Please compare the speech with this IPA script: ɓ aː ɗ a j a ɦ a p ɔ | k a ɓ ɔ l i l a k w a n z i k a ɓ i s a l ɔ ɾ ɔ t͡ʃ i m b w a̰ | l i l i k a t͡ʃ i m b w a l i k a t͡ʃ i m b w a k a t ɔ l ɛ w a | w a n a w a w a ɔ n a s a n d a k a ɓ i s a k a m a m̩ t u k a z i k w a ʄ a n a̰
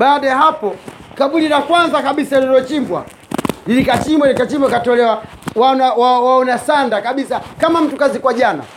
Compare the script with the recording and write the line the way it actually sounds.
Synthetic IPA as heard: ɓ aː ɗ a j a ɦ a p ɔ | k a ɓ u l i l a k w a n z a k a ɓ i s a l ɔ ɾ ɔ t͡ʃ i m b w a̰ | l i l i k a t͡ʃ i m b w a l i k a t͡ʃ i m b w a k a t ɔ l ɛ w a | w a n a w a w a ɔ n a s a n d a k a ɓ i s a k a m a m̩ t u k a z i k w a ʄ a n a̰